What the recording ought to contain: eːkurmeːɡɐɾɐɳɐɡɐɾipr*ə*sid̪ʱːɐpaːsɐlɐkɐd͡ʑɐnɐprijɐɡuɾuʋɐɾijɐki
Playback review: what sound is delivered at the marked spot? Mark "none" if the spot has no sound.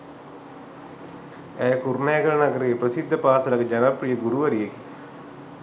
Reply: ɐ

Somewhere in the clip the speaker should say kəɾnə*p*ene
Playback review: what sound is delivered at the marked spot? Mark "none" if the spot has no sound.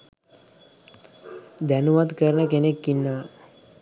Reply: k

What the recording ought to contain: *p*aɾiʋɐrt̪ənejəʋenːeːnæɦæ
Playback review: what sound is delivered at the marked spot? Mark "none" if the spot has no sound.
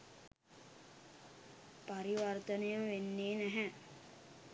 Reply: p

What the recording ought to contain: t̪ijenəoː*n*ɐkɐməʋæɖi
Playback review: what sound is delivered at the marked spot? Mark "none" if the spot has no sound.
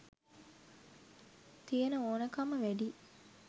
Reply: n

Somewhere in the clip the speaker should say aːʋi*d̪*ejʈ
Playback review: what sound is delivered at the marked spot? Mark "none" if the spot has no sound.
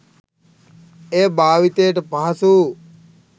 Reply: t̪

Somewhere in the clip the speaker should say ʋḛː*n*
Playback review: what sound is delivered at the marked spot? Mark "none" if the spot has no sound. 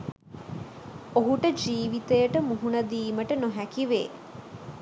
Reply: none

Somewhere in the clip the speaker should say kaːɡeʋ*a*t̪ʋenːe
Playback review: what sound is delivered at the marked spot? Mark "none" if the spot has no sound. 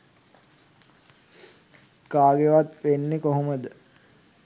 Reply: a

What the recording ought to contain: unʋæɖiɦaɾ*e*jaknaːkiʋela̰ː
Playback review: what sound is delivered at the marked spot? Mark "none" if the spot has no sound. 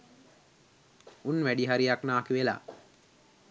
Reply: i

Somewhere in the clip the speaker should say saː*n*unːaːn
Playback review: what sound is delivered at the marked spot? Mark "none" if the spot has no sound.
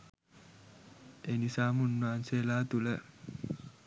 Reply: m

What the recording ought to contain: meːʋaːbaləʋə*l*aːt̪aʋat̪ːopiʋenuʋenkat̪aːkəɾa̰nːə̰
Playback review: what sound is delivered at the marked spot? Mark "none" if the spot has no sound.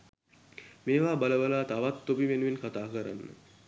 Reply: l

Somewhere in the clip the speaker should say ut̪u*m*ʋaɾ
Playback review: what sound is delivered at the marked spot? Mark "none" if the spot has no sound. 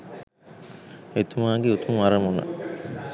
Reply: m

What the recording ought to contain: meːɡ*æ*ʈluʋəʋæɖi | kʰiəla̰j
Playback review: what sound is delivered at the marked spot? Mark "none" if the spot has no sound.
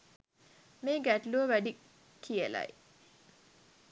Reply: æ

